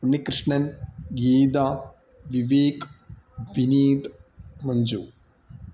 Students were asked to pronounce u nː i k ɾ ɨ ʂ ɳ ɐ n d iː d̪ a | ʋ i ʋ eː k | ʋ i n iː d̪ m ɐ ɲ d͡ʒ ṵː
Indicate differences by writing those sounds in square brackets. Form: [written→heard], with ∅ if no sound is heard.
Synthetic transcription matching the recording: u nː i k ɾ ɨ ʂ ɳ ɐ n [d→ɡ] iː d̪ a | ʋ i ʋ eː k | ʋ i n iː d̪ m ɐ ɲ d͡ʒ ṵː